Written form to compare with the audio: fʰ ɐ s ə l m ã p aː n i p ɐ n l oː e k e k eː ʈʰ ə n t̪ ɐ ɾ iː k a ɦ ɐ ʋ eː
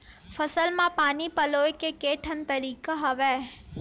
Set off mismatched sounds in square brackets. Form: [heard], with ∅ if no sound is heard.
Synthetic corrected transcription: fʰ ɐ s ə l m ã p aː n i p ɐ [∅] l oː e k e k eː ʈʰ ə n t̪ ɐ ɾ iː k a ɦ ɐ ʋ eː

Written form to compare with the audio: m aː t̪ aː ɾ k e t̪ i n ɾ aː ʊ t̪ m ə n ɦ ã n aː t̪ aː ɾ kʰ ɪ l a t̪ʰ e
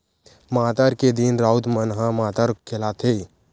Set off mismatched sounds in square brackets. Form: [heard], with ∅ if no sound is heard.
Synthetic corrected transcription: m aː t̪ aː ɾ k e [d̪] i n ɾ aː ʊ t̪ m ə n ɦ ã [m] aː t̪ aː ɾ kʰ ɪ l a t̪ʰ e

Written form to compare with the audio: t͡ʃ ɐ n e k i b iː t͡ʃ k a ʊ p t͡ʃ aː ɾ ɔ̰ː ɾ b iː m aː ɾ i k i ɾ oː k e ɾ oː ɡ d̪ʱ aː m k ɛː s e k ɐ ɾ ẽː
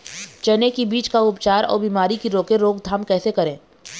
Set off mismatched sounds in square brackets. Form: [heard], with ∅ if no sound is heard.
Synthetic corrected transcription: t͡ʃ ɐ n e k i b iː t͡ʃ k a ʊ p t͡ʃ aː ɾ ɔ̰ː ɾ b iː m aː ɾ i k i ɾ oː k e ɾ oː ɡ d̪ʱ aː m k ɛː s e k ɐ ɾ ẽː

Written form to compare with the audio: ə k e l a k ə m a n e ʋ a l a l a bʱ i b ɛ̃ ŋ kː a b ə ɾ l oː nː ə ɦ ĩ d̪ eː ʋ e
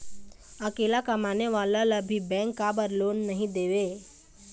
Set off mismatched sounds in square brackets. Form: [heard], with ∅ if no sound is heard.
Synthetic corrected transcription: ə k e l a k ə m a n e ʋ a l a l a bʱ i b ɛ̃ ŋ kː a b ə ɾ l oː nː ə ɦ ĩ d̪ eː ʋ e

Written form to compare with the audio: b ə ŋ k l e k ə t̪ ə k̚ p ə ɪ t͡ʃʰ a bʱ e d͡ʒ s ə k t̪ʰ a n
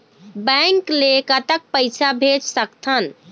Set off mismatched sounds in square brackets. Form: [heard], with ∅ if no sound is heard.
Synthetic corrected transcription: b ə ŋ k l e k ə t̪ ə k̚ p ə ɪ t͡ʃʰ a bʱ e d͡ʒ s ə k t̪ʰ [ə] n

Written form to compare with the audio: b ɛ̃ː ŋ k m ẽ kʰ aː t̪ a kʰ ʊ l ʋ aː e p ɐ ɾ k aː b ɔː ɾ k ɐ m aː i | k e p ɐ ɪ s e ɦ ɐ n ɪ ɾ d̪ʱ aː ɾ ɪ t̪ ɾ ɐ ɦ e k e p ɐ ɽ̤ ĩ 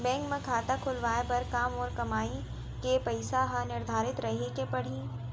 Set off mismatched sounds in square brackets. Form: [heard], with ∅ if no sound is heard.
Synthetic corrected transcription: b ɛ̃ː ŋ k m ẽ kʰ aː t̪ a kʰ ʊ l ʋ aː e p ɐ ɾ k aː [m] ɔː ɾ k ɐ m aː i | k e p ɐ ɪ s [a] ɦ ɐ n ɪ ɾ d̪ʱ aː ɾ ɪ t̪ ɾ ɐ ɦ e k e p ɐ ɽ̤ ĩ

